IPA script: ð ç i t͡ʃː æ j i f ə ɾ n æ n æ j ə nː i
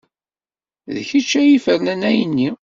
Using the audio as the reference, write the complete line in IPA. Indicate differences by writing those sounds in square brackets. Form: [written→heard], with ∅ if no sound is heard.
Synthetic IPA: ð ç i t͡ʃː æ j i f ə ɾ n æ n æ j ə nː i